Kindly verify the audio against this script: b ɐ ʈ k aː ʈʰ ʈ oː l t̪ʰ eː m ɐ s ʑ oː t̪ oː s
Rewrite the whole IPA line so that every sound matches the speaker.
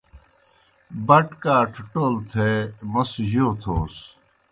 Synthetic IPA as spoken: b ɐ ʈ k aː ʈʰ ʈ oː l t̪ʰ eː m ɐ s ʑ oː t̪ʰ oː s